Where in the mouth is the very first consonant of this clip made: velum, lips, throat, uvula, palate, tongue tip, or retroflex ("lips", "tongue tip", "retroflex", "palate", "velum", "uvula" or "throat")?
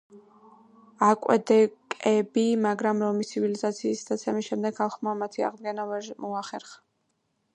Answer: velum